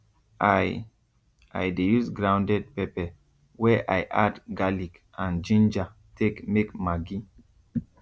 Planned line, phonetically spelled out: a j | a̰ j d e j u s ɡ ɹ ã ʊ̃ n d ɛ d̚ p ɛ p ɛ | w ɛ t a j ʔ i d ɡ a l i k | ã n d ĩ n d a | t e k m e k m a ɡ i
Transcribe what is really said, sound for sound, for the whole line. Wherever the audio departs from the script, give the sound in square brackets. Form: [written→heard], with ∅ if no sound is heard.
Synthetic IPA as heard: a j | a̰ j d e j u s ɡ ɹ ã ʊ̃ n d ɛ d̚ p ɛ p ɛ | w ɛ [t→ʔ] a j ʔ [i→a] d ɡ a l i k | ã n [d→d͡ʒ] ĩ n [d→d͡ʒ] a | t e k m e k m a ɡ i

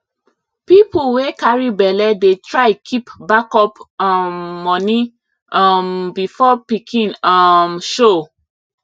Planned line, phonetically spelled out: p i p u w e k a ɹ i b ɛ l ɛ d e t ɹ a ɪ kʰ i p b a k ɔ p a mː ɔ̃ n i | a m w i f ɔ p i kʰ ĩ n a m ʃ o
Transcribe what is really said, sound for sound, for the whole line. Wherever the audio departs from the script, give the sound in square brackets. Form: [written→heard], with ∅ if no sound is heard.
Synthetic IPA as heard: p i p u w e k a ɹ i b ɛ l ɛ d e t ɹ a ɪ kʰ i p b a k ɔ p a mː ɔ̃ n i | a m [w→b] i f ɔ p i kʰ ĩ n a m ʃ o

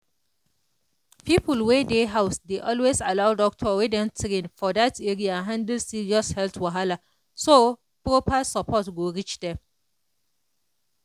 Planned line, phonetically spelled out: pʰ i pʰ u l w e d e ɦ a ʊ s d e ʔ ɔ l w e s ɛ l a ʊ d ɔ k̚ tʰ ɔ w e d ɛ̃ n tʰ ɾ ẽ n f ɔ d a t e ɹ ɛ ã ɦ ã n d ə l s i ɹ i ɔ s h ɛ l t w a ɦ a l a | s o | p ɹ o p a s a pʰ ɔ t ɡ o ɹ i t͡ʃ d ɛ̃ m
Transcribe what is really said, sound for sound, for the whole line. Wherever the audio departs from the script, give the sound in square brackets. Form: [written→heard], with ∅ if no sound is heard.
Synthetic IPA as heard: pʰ i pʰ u l w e d e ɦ a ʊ s d e ʔ ɔ l w e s [ɛ→a] l a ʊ d ɔ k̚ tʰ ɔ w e d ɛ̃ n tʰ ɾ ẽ n f ɔ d a t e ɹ [ɛ→i] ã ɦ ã n d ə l s i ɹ i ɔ s h ɛ l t w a ɦ a l a | s o | p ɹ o p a s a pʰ ɔ t ɡ o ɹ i t͡ʃ d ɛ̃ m

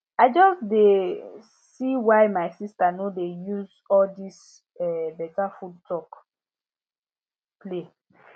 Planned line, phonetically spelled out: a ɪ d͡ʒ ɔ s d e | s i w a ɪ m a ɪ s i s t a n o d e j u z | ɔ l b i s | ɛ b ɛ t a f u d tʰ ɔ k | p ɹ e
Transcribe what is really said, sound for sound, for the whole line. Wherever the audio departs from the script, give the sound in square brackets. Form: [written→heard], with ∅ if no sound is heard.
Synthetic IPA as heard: a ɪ d͡ʒ ɔ s d e | s i w a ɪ m a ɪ s i s t a n o d e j u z | ɔ l [b→d] i s | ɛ b ɛ t a f u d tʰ ɔ k | p [ɹ→l] e

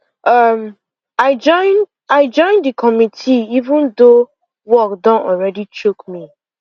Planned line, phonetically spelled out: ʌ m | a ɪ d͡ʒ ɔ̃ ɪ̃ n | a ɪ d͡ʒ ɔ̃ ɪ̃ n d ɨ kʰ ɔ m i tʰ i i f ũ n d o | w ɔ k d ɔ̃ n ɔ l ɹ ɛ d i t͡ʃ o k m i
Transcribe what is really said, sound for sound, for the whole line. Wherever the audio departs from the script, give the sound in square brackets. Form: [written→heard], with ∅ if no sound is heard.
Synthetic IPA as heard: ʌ m | a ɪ d͡ʒ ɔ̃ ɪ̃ n | a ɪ d͡ʒ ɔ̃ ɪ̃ n d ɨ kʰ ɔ m i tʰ i i [f→v] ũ n d o | w ɔ k d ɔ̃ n ɔ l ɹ ɛ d i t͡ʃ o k m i

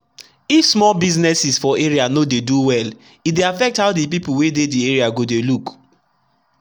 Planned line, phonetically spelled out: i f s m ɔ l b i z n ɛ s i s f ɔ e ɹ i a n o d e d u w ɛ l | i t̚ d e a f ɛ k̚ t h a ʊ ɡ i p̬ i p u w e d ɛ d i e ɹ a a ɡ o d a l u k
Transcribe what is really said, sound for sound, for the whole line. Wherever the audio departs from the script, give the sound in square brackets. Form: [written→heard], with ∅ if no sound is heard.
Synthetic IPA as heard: i f s m ɔ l b i z n ɛ s i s f ɔ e ɹ i a n o d e d u w ɛ l | i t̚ d e a f ɛ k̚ t h a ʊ [ɡ→d] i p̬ i p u w e d [ɛ→e] d i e ɹ [a→i] a ɡ o d [a→e] l u k

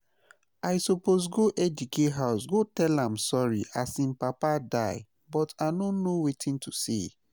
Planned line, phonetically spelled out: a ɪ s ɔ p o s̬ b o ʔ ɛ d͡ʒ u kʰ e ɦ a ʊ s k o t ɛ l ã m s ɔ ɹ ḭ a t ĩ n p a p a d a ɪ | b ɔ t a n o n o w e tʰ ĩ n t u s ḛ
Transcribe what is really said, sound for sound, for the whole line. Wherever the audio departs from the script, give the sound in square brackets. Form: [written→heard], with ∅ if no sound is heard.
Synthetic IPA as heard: a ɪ s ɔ p o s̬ [b→ɡ] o ʔ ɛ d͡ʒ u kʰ e ɦ a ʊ s [k→ɡ] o t ɛ l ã m s ɔ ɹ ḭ a [t→s] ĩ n p a p a d a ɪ | b ɔ t a n o n o w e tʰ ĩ n t u s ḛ

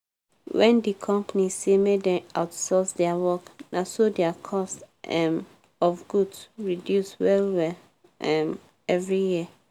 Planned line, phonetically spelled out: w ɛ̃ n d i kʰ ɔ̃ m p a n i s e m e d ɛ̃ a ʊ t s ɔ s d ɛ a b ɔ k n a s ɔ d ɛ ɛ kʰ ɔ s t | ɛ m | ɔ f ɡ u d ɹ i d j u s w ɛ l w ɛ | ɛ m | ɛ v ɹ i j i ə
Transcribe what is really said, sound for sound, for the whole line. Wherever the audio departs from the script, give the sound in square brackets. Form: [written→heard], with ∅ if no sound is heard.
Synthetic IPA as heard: w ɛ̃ n d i kʰ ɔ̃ m p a n i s e m e d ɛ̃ a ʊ t s ɔ s d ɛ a [b→w] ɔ k n a s [ɔ→o] d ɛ [ɛ→a] kʰ ɔ s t | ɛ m | ɔ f ɡ u d ɹ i d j u s w ɛ l w ɛ | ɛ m | ɛ v ɹ i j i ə

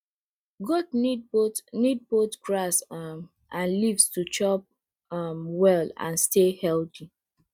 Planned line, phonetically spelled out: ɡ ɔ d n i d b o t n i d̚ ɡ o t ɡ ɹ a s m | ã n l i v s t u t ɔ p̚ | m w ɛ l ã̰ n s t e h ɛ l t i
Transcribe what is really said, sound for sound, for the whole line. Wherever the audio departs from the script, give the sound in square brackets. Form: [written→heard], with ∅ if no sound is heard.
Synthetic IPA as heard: ɡ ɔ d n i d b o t n i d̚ [ɡ→b] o t ɡ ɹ a s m | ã n l i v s t u [t→t͡ʃ] ɔ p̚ | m w ɛ l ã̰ n s t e h ɛ l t i

